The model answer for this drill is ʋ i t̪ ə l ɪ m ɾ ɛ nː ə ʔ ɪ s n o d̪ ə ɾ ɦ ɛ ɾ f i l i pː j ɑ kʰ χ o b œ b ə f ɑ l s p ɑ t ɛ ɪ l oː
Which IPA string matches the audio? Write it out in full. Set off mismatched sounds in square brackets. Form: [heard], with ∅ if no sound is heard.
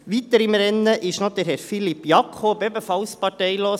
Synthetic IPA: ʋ i t̪ ə [ɾ] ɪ m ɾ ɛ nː ə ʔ ɪ [ʃ] n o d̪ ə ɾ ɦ ɛ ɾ f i l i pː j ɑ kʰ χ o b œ b ə f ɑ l s p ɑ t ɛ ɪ l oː